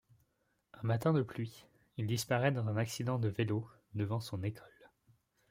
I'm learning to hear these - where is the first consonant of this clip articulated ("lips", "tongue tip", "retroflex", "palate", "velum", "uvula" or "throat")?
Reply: lips